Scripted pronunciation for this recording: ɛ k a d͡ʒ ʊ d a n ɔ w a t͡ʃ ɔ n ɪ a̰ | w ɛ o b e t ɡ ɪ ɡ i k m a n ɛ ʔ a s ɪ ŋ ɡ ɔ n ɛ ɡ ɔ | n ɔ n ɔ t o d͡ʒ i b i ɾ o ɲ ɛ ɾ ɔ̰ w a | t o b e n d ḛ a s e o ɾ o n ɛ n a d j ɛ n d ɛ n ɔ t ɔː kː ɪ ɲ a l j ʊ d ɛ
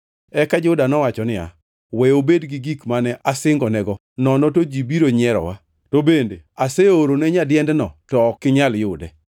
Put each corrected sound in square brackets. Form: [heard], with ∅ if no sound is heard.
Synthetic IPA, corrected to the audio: ɛ k a d͡ʒ ʊ d a n ɔ w a t͡ʃ ɔ n ɪ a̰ | w ɛ o b e [d] ɡ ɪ ɡ i k m a n ɛ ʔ a s ɪ ŋ ɡ ɔ n ɛ ɡ ɔ | n ɔ n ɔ t o d͡ʒ i b i ɾ o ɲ ɛ ɾ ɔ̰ w a | t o b e n d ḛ a s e o ɾ o n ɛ [ɲ] a d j ɛ n d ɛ n ɔ t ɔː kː ɪ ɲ a l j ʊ d ɛ